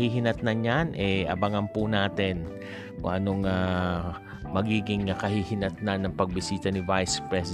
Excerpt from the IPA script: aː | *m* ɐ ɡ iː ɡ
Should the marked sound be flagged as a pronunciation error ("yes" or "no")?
no